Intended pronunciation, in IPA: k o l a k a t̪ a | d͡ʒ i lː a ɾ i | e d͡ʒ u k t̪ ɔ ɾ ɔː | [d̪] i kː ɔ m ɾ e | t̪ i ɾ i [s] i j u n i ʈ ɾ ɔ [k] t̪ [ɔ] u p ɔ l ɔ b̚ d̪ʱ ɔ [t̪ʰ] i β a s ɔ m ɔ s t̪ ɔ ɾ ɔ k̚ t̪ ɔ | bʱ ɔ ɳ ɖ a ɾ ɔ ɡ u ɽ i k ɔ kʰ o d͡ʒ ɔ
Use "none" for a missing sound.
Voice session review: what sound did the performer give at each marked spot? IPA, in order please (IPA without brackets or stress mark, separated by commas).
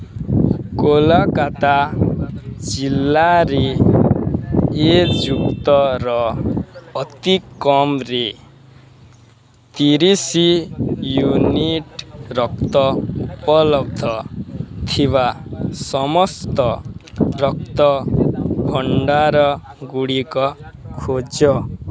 t̪, s, k, ɔ, t̪ʰ